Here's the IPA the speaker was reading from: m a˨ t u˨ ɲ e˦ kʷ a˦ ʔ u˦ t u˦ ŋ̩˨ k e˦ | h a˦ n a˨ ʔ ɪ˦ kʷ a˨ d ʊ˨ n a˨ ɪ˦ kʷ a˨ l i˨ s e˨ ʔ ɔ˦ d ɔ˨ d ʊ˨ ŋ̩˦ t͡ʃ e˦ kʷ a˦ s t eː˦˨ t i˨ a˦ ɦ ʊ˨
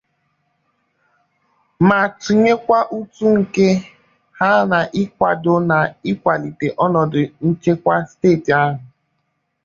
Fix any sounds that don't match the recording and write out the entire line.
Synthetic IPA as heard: m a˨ t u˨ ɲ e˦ kʷ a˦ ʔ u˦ t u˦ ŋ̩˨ k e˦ | h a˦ n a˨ ʔ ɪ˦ kʷ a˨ d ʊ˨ n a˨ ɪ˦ kʷ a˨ l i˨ t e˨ ʔ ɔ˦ n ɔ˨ d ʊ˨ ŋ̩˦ t͡ʃ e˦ kʷ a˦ s t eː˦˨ t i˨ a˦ ɦ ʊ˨

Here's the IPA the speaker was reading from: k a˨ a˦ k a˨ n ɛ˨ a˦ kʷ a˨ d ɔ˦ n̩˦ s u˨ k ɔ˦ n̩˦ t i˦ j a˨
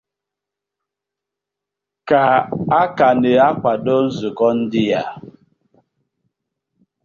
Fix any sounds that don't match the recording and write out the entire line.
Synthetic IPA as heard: k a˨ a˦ k a˨ n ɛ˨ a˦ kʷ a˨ d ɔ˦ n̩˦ z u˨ k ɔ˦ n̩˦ d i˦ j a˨

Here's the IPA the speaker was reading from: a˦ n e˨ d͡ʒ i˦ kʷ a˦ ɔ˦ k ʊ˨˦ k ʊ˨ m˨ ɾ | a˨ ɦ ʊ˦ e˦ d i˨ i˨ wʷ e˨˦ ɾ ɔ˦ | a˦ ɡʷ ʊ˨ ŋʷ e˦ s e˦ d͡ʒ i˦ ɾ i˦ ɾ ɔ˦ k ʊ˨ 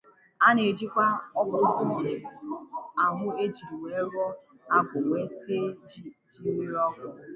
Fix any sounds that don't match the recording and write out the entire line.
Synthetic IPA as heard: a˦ n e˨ d͡ʒ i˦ kʷ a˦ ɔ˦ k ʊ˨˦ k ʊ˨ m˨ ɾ | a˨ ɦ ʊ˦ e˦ d͡ʒ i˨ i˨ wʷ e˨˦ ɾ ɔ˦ | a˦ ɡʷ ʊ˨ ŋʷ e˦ s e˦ d͡ʒ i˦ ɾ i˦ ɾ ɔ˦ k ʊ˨

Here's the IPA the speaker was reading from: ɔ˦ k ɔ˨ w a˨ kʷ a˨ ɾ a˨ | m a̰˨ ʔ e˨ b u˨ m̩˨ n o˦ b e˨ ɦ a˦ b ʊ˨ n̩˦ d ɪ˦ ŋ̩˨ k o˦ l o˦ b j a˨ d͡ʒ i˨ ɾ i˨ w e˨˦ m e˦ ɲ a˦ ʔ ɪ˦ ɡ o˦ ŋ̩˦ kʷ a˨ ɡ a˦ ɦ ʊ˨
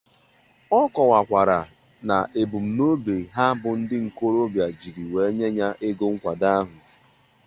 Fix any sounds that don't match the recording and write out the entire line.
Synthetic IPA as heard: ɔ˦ k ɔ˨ w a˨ kʷ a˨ ɾ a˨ | n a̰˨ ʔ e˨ b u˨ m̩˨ n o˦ b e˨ ɦ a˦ b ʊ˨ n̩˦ d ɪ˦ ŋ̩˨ k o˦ ɾ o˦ b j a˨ d͡ʒ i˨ ɾ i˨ w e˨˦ ɲ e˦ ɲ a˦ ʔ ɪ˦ ɡ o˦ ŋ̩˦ kʷ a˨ d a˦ ɦ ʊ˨

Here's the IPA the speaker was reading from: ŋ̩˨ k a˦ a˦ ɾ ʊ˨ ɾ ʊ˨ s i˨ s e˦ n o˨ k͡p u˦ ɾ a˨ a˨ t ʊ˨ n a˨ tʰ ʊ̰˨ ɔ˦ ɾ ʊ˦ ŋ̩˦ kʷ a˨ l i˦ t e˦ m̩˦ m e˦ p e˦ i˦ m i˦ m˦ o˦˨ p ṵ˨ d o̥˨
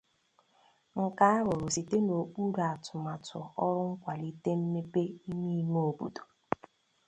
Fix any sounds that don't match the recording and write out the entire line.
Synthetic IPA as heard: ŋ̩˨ k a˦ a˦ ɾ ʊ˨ ɾ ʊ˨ s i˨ t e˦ n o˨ k͡p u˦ ɾ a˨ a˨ t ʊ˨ m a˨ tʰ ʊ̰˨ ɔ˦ ɾ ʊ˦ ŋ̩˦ kʷ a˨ l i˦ t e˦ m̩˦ m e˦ p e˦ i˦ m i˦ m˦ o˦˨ b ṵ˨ d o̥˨

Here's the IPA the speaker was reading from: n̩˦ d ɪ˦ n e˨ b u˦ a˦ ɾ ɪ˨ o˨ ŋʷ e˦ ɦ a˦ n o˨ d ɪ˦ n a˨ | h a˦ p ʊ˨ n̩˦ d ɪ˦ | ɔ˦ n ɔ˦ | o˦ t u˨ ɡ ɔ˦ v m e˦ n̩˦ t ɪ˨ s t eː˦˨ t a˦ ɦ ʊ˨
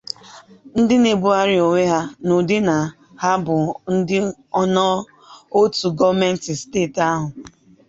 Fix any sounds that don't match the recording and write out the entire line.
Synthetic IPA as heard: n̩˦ d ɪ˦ n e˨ b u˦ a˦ ɾ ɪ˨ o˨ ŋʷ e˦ ɦ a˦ n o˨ d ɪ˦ n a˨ | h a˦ b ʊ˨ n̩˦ d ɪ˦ | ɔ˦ n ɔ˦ | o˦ t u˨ ɡ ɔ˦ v m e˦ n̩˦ t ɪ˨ s t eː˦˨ t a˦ ɦ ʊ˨

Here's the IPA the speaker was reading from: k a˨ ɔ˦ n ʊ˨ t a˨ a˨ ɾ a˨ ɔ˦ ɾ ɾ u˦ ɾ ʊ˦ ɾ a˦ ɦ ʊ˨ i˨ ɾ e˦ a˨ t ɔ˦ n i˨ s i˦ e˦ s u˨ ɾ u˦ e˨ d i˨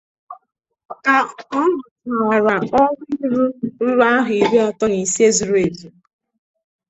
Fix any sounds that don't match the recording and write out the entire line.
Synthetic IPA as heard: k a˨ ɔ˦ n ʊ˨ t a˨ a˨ ɾ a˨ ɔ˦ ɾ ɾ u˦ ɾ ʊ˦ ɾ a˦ ɦ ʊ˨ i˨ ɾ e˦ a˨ t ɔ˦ n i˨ s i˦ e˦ z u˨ ɾ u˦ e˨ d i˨

